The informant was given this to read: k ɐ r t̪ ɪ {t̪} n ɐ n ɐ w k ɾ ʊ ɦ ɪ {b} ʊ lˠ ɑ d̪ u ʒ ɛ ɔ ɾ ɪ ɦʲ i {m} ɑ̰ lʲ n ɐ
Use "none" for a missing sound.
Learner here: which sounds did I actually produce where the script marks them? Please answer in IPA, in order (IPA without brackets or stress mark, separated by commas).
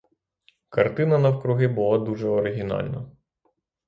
none, b, n